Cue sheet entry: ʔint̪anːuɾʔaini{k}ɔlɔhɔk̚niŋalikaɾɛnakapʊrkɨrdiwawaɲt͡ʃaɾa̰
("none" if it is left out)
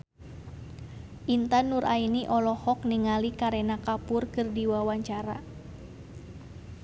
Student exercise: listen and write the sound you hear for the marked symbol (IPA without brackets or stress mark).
ʔ